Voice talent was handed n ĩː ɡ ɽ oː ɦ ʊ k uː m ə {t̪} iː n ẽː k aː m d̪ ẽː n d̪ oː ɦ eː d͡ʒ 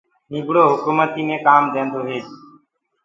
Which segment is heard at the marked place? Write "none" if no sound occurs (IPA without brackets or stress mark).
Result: t̪